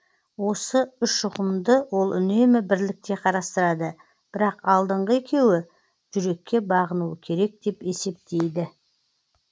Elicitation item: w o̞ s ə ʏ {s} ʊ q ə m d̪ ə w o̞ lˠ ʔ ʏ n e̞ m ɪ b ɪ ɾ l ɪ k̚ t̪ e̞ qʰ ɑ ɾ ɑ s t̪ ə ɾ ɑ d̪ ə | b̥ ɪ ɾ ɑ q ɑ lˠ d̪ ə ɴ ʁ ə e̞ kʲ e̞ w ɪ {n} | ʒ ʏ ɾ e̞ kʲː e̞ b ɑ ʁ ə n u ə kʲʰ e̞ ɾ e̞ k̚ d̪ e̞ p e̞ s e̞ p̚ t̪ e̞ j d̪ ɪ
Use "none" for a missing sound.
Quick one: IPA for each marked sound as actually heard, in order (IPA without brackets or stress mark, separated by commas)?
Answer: ʃ, none